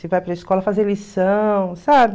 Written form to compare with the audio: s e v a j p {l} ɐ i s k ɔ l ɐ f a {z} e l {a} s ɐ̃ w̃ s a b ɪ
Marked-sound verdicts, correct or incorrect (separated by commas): incorrect, correct, incorrect